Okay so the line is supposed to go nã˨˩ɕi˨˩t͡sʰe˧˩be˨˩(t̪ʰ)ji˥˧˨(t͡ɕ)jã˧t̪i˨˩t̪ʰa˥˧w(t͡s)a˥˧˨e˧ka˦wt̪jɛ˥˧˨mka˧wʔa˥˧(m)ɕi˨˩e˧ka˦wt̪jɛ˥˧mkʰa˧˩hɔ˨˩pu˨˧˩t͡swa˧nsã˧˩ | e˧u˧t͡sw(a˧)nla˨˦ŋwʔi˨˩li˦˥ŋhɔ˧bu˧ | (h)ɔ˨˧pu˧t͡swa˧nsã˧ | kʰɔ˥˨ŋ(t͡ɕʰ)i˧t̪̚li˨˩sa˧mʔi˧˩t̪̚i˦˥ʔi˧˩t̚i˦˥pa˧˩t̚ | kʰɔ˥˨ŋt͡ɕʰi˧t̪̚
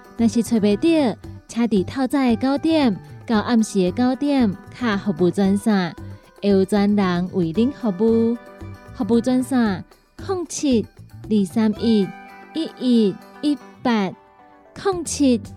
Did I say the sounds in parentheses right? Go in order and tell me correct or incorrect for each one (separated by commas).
incorrect, incorrect, correct, correct, correct, correct, correct